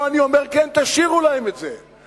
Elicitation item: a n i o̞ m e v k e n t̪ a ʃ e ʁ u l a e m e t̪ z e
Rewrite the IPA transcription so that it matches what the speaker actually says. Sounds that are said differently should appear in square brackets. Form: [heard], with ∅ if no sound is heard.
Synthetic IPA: a n i o̞ m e [ʁ] k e n t̪ a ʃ [i] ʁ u l a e m e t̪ z e